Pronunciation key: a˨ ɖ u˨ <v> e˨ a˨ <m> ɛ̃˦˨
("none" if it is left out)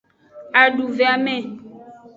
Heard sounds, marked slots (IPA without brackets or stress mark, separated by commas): v, m